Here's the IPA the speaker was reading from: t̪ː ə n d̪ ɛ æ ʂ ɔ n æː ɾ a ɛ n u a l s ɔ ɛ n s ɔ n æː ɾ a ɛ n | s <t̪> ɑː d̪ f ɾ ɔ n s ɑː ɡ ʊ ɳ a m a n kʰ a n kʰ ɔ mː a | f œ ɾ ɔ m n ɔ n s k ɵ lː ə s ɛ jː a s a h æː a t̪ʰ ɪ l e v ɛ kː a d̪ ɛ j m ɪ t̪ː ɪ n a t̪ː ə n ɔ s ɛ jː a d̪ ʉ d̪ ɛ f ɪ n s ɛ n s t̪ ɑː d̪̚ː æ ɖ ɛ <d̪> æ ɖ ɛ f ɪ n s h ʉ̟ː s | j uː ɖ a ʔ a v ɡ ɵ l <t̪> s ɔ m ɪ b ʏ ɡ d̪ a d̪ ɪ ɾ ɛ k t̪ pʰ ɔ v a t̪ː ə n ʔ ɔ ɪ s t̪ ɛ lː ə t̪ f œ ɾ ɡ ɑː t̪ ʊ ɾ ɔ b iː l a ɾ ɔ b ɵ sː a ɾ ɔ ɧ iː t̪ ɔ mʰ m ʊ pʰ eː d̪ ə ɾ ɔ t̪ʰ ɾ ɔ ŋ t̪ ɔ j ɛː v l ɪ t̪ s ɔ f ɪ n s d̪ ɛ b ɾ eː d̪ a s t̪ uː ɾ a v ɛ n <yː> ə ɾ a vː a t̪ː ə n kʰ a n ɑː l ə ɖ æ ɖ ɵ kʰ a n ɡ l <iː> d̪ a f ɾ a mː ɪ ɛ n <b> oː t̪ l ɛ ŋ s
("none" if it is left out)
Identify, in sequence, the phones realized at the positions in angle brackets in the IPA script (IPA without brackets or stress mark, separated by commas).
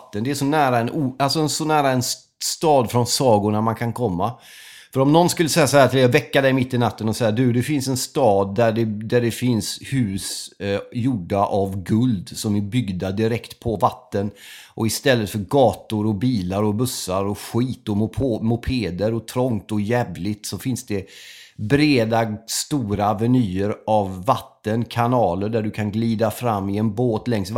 t̪, d̪, d̪, yː, iː, b